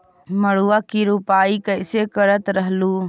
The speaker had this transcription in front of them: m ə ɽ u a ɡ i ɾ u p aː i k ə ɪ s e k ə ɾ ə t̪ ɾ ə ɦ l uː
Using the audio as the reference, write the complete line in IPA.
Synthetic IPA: m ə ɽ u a k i ɾ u p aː i k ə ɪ s e k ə ɾ ə t̪ ɾ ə ɦ l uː